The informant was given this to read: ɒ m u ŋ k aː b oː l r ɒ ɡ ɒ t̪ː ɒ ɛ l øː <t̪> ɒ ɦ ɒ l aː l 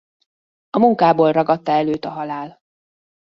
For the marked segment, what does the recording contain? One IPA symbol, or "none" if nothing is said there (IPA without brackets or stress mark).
t̪